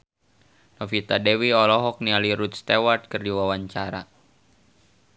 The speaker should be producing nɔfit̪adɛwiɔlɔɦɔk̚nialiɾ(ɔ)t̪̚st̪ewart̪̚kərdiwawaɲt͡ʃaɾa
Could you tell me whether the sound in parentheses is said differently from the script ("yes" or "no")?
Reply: yes